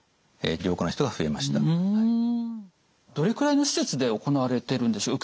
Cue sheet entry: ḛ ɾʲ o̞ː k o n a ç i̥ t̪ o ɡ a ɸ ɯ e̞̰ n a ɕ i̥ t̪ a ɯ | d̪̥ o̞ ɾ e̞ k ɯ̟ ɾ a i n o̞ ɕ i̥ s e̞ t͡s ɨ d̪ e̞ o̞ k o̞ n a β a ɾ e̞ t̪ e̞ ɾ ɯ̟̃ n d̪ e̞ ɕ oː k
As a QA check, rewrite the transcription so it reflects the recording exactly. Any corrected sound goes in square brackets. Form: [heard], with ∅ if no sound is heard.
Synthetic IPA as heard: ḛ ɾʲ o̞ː k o n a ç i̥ t̪ o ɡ a ɸ ɯ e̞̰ [m] a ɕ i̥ t̪ a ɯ | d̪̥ o̞ ɾ e̞ k ɯ̟ ɾ a i n o̞ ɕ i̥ s e̞ t͡s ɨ d̪ e̞ o̞ k o̞ n a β a ɾ e̞ t̪ e̞ ɾ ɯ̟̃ n d̪ e̞ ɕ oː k